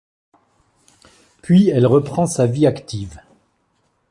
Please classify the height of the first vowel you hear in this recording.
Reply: high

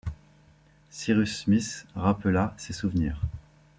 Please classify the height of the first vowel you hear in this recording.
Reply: high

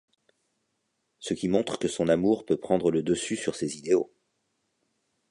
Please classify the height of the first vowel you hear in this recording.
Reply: mid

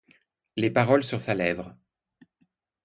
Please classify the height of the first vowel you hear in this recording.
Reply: mid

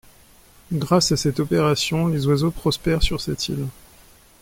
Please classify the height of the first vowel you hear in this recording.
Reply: low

